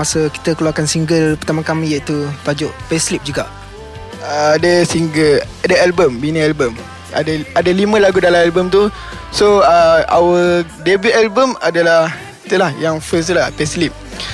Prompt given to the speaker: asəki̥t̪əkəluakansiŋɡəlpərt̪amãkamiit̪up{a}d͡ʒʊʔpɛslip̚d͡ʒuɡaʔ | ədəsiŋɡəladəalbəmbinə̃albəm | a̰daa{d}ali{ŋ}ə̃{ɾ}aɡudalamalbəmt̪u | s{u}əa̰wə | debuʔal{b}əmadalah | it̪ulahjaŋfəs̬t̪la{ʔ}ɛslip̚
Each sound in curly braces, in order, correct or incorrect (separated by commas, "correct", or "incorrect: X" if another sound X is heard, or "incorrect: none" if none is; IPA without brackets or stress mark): correct, correct, incorrect: m, incorrect: l, incorrect: o, correct, incorrect: p